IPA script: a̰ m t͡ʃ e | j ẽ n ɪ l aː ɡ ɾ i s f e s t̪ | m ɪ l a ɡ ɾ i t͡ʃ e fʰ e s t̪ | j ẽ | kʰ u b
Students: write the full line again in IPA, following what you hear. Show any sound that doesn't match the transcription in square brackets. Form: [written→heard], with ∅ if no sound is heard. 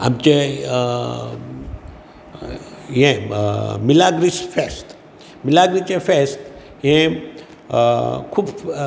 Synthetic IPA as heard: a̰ m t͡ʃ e | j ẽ [n→m] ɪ l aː ɡ ɾ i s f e s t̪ | m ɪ l a ɡ ɾ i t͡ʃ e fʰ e s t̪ | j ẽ | kʰ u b